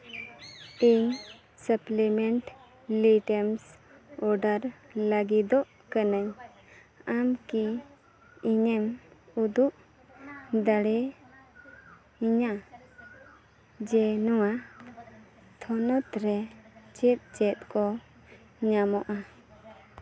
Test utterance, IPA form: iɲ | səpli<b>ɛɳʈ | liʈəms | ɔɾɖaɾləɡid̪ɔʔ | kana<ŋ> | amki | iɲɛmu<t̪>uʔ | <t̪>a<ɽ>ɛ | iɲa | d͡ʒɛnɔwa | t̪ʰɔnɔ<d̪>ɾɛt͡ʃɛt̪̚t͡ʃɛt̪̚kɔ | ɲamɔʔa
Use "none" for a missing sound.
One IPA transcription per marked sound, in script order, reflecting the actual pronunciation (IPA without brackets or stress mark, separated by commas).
m, ɲ, d̪, d̪, ɽ, t̪